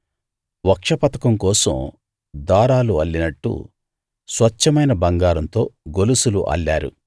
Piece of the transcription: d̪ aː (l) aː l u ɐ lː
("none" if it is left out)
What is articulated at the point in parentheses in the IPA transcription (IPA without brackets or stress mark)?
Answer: ɾ